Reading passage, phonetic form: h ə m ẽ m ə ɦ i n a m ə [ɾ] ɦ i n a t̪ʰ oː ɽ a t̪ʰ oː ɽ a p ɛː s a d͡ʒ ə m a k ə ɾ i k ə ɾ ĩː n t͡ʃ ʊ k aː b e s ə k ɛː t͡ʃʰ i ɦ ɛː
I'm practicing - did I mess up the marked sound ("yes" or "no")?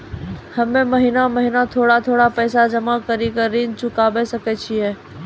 yes